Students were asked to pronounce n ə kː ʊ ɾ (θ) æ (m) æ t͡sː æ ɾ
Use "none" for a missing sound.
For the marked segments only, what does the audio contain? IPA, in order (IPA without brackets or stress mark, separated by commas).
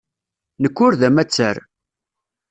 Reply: ð, m